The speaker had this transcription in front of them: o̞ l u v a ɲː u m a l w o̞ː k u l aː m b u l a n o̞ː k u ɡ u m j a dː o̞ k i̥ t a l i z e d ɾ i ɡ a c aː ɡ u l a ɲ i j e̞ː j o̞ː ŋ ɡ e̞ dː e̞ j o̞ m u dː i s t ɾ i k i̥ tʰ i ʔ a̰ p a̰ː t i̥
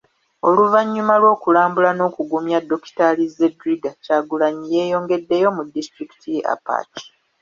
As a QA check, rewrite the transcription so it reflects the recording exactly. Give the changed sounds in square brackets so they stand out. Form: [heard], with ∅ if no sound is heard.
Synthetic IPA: o̞ l u v a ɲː u m a l w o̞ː k u l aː m b u l a n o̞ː k u ɡ u m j a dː o̞ k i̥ t a l i z e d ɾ i ɡ a c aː ɡ u l a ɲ i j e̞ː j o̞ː ŋ ɡ e̞ dː e̞ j o̞ m u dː i s t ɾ i k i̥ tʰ i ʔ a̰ p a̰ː t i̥